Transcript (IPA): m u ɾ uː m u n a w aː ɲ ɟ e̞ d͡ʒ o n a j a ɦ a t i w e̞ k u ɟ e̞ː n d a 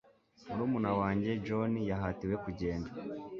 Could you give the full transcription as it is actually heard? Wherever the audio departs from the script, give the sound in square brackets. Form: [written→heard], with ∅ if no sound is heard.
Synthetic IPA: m u ɾ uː m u n a w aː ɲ ɟ e̞ d͡ʒ o n [a→i] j a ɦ a t i w e̞ k u ɟ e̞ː n d a